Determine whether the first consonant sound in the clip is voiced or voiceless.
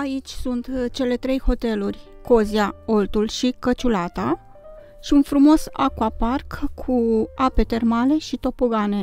voiceless